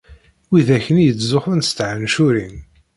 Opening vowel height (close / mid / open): close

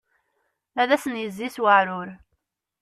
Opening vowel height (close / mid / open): open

